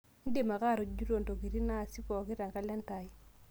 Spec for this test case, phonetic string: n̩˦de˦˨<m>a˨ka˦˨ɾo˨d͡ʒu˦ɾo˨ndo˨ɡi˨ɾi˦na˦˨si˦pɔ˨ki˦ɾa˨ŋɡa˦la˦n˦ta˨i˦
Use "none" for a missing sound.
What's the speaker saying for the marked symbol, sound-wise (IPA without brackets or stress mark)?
m